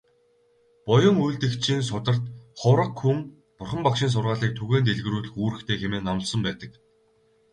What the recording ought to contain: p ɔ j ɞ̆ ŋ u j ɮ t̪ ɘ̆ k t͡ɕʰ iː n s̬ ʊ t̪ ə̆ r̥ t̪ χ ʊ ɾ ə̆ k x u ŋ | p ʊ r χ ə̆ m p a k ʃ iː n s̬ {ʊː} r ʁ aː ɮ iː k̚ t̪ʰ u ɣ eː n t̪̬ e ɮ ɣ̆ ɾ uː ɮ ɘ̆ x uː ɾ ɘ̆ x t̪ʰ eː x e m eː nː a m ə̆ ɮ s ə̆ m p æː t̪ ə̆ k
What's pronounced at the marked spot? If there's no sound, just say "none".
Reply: ʊ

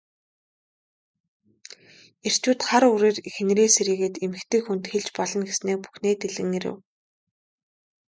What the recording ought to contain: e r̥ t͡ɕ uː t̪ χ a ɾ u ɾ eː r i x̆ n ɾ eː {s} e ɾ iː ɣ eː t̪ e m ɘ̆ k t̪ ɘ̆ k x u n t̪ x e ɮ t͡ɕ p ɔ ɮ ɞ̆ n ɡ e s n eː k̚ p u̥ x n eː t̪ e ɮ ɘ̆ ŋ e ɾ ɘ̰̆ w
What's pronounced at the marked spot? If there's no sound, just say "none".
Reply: s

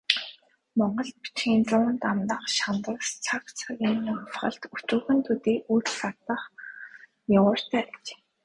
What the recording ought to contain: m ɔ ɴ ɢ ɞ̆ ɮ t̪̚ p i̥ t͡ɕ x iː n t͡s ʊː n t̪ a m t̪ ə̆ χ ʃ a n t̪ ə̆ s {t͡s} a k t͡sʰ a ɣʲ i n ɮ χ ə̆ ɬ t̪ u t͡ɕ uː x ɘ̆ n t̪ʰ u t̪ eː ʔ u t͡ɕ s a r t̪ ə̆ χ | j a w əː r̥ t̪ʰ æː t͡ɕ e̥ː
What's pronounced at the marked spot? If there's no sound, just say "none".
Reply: t͡sʰ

